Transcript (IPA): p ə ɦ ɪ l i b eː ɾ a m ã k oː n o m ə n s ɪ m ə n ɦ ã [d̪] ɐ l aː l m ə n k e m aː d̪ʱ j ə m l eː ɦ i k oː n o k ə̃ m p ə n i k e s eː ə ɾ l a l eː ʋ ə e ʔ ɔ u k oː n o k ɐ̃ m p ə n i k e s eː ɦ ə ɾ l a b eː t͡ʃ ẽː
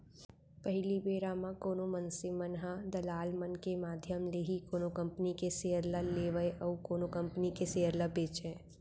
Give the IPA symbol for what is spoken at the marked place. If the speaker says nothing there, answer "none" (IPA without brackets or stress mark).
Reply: d̪